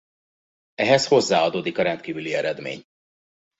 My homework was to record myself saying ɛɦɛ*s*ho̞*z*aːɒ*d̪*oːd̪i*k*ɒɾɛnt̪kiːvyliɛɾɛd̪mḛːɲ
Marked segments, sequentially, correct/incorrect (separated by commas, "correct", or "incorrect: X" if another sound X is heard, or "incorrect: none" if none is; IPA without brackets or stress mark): correct, incorrect: zː, correct, correct